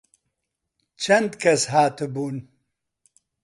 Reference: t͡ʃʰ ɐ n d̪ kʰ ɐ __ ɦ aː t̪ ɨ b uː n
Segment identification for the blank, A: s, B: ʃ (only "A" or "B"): A